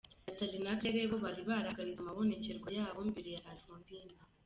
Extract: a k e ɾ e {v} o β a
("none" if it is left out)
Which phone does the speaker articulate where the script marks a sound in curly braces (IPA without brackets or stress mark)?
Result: β